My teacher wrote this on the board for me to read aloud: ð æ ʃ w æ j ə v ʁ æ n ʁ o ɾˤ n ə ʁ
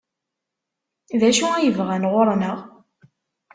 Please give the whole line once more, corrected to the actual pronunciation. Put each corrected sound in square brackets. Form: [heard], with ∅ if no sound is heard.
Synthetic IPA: ð æ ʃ [u] æ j ə v ʁ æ n ʁ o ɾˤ n ə ʁ